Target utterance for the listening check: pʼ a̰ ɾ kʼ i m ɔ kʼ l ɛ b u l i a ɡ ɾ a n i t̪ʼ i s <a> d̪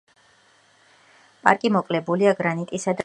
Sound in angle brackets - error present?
no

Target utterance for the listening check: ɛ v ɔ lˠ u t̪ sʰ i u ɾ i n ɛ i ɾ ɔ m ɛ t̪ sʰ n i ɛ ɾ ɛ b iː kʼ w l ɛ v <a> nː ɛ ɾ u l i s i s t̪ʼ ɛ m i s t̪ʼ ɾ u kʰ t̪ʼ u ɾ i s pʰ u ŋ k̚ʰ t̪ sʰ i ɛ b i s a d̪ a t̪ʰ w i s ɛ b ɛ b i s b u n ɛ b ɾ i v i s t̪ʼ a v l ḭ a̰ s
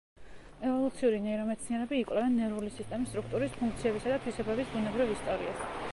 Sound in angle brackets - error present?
yes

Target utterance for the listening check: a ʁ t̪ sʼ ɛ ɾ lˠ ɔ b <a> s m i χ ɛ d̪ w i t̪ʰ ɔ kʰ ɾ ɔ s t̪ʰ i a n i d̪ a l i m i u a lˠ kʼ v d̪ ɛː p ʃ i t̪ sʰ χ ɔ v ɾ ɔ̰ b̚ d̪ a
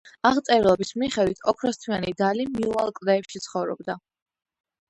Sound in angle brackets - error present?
yes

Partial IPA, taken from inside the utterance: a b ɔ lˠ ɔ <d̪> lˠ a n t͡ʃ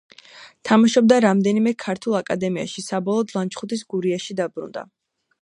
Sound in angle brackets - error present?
no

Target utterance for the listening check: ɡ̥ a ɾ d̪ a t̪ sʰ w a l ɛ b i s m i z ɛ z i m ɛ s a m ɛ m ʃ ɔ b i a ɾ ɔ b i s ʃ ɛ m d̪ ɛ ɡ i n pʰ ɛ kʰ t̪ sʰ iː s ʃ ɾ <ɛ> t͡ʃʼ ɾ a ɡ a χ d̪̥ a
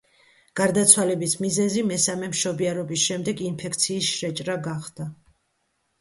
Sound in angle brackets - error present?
no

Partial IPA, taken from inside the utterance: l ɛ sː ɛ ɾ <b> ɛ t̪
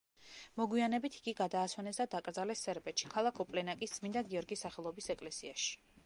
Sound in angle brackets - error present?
no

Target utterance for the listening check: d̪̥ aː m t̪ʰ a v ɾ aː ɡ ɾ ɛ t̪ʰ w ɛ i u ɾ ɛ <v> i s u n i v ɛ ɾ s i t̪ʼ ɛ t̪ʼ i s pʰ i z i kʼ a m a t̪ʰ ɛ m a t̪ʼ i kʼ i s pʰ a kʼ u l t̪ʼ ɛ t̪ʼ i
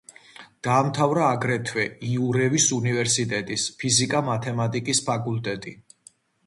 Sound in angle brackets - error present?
no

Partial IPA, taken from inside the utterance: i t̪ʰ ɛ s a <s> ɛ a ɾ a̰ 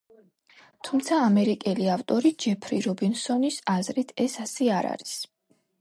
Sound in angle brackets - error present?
no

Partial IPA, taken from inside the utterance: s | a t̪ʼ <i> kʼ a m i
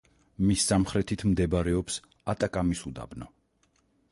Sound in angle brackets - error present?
yes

